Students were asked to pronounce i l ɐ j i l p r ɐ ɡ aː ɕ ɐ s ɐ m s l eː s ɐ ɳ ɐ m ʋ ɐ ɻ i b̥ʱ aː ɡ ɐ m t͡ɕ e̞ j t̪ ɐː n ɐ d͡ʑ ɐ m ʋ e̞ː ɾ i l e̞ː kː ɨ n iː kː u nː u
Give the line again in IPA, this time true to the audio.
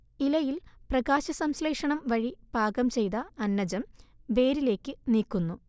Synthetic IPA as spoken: i l ɐ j i l p r ɐ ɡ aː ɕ ɐ s ɐ m s l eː ʂ ɐ ɳ ɐ m ʋ ɐ ɻ i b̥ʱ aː ɡ ɐ m t͡ɕ e̞ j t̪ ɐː nː ɐ d͡ʑ ɐ m ʋ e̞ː ɾ i l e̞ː kː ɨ n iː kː u nː u